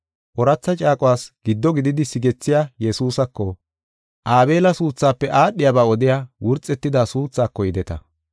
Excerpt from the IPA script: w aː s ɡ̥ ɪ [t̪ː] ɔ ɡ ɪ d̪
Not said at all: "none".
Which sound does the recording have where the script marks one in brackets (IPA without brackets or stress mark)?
d̪ː